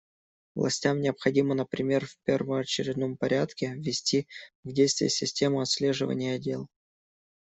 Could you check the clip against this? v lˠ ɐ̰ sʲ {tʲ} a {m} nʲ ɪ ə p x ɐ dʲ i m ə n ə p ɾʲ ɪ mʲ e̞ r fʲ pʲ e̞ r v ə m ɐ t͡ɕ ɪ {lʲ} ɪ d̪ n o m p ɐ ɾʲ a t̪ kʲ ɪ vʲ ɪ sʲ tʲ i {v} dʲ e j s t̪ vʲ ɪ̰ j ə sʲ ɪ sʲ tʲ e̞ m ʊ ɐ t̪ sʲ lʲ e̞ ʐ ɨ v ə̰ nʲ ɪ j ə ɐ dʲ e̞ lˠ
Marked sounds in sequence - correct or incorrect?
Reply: correct, correct, incorrect: ɾʲ, correct

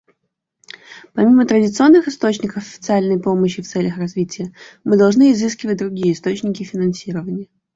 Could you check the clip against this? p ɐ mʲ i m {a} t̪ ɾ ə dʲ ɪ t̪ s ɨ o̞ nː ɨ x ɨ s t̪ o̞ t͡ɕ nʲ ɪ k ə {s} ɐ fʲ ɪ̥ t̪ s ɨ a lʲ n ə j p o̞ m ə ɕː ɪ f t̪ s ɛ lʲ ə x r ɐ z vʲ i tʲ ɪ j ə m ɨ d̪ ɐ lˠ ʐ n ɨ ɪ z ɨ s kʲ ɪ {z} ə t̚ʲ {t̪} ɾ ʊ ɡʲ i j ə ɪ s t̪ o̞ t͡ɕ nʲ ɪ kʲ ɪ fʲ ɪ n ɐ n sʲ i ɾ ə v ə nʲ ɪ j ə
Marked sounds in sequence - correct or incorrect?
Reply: incorrect: ə, incorrect: f, incorrect: v, incorrect: d̪

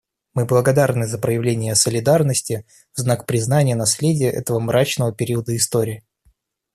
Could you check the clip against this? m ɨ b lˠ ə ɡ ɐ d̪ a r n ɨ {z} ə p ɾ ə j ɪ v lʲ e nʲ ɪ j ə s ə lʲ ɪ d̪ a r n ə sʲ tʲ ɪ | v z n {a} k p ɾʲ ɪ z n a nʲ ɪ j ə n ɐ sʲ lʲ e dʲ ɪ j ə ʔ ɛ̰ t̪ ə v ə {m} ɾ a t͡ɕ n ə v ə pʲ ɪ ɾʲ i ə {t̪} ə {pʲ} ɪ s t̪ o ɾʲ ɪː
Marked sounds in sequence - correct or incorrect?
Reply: correct, correct, correct, incorrect: d̪, incorrect: none

